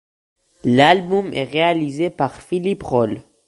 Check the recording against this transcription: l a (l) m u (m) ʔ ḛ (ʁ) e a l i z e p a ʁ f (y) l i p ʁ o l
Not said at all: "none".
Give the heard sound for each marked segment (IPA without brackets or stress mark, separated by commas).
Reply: l, m, ʁ, i